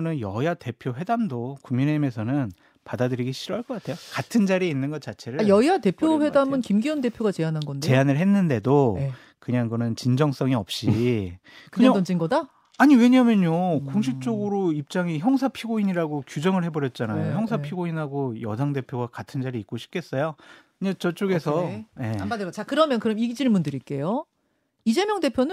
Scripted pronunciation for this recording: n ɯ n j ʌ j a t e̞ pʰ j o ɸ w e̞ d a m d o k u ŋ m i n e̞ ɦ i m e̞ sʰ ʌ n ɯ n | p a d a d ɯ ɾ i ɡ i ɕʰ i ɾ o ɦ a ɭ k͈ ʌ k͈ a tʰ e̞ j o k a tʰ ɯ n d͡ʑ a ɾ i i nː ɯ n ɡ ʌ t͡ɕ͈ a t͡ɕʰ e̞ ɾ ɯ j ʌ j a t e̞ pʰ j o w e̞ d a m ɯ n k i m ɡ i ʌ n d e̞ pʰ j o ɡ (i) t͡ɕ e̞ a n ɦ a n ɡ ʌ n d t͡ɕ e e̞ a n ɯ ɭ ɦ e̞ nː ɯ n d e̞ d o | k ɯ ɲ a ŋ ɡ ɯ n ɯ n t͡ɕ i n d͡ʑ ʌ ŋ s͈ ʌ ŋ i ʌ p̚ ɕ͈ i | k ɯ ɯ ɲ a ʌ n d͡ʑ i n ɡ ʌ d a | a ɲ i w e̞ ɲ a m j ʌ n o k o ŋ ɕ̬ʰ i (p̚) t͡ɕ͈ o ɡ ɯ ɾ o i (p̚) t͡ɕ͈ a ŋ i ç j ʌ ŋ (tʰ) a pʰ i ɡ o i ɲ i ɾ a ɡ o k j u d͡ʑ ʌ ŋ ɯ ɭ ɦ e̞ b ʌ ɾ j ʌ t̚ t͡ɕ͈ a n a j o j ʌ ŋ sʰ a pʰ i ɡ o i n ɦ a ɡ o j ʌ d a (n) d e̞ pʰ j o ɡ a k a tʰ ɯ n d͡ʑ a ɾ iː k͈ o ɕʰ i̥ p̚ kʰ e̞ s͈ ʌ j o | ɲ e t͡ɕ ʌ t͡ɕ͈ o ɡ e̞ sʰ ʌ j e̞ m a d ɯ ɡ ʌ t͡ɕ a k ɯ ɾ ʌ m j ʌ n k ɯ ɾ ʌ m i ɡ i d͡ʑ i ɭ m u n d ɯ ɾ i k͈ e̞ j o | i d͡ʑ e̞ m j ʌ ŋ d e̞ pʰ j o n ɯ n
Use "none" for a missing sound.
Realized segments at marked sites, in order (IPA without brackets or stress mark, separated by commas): a, p̚, p̚, sʰ, ŋ